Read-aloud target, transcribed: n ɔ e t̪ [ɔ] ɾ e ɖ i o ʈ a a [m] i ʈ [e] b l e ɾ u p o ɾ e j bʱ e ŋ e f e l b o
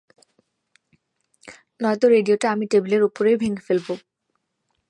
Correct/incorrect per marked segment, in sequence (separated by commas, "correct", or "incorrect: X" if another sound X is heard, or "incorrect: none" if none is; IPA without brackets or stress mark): incorrect: o, correct, correct